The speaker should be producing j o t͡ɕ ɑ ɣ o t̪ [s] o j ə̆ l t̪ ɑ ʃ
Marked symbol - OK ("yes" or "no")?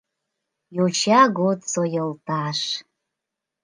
yes